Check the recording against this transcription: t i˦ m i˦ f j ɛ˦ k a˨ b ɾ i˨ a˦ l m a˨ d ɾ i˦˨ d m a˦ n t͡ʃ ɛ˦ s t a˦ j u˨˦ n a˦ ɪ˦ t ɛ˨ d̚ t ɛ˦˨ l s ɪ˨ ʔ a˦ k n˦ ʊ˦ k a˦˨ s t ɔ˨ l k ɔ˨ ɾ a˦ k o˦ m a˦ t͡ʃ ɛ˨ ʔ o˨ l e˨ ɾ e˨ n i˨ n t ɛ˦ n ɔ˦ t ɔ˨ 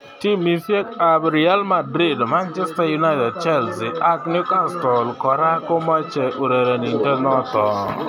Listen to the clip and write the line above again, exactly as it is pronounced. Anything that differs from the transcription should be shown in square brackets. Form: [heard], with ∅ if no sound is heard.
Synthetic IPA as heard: t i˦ m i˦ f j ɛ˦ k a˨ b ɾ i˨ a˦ l m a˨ d ɾ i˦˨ d m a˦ n t͡ʃ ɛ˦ s t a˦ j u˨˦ n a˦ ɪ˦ t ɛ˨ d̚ [t͡ʃ] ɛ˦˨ l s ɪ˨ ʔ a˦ k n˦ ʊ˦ k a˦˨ s t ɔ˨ l k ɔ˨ ɾ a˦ k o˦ m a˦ t͡ʃ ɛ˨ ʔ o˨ [ɾ] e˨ ɾ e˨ n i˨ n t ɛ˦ n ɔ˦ t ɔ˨